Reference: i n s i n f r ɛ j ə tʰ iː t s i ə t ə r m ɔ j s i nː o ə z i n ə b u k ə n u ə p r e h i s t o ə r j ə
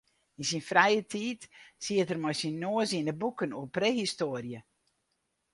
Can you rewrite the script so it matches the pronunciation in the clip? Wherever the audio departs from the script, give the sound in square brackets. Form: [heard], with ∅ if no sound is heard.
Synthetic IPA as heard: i n s i n f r ɛ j ə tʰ iː t s i ə t ə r m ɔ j s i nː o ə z i n ə b u k ə n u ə p r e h i s t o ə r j ə

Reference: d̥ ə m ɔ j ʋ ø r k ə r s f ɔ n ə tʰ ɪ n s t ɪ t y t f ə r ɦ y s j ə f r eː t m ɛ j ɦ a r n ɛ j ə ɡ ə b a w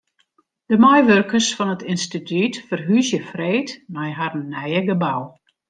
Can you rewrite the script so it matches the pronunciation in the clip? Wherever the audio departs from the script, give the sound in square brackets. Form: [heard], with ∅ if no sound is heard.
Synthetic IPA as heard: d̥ ə m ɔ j ʋ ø r k ə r s f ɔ n ə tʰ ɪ n s t [i] t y t f ə r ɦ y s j ə f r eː t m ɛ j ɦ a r n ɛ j ə ɡ ə b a w

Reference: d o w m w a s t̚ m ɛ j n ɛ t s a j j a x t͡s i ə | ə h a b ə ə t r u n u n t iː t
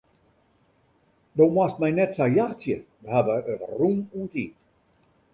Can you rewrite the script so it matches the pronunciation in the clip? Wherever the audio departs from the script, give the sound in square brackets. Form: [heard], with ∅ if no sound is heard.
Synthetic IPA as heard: d o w m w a s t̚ m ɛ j n ɛ t s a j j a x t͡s [j] ə | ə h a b ə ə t r u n u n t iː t

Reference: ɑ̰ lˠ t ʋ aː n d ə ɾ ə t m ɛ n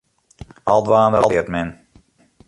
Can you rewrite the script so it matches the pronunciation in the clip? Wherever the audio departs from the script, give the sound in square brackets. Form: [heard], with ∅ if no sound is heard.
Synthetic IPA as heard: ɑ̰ lˠ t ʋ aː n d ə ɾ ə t m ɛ n

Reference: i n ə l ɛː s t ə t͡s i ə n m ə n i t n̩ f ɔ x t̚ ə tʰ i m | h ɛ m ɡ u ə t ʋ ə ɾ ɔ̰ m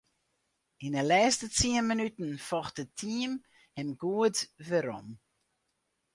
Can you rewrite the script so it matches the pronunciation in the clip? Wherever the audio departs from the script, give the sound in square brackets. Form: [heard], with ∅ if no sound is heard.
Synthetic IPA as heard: i n ə l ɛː s t ə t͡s i ə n m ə n [y] t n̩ f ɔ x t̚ ə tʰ i m | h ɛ m ɡ u ə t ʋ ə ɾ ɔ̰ m

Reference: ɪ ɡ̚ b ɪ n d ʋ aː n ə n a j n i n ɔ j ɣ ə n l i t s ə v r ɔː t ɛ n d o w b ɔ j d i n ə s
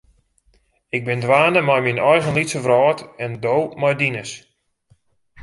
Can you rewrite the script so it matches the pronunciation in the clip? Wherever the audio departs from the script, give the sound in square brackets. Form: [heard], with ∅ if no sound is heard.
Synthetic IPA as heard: ɪ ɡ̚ b ɪ n d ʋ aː n ə [m] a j [m] i n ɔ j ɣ ə n l i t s ə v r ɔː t ɛ n d o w [m] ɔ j d i n ə s

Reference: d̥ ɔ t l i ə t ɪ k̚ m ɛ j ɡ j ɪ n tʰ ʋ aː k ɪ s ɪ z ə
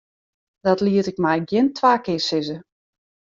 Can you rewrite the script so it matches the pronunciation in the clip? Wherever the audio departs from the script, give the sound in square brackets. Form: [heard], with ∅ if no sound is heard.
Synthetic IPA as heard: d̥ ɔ t l i ə t ɪ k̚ m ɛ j ɡ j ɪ n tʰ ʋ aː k ɪ s ɪ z ə

